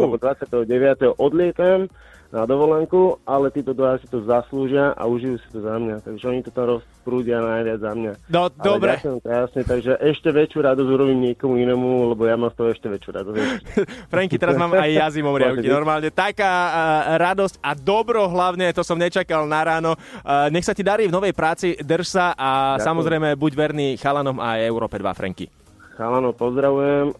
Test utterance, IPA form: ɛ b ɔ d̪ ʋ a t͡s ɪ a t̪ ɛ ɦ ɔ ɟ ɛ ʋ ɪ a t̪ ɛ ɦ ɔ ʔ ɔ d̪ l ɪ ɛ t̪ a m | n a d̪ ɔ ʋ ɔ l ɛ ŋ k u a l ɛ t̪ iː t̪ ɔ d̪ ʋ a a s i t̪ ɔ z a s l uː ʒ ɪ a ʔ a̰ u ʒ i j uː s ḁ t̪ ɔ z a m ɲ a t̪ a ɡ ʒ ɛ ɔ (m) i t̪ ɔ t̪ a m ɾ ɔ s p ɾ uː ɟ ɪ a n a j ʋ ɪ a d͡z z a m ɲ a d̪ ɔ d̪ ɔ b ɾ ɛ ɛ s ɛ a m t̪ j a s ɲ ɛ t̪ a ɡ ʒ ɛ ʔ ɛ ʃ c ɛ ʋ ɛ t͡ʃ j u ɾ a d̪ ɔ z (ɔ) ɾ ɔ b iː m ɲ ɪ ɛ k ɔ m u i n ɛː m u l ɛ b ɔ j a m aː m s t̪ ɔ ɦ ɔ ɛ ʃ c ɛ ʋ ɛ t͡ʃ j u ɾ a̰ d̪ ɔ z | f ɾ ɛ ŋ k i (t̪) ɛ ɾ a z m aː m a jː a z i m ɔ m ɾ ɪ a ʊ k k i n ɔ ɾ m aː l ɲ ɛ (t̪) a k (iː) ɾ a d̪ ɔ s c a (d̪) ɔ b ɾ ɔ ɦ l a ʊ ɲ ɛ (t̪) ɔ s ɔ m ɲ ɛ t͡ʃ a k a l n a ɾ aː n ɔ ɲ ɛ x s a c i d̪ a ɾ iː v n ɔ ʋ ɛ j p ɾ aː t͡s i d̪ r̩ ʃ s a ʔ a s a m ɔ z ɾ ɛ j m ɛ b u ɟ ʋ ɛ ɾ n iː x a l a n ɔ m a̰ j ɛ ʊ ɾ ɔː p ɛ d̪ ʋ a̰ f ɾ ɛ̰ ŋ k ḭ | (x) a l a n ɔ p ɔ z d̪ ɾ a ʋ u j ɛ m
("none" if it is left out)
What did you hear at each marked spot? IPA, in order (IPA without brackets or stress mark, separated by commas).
ɲ, u, t̪, t̪, aː, d̪, t̪, x